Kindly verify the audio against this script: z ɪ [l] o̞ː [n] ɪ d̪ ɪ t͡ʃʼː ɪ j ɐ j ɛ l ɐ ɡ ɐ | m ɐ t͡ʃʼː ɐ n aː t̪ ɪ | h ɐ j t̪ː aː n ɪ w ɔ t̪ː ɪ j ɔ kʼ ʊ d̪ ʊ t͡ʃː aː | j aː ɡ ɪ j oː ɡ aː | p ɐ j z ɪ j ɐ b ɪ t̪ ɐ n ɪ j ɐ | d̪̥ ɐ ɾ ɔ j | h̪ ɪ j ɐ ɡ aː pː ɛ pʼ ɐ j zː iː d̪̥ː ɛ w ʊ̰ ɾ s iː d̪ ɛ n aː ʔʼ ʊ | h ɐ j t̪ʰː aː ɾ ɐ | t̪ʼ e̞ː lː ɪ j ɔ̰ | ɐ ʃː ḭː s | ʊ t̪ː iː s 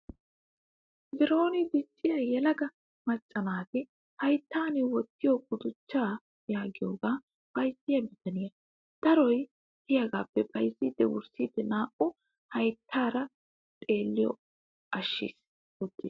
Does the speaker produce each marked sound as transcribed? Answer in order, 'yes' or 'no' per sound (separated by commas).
no, yes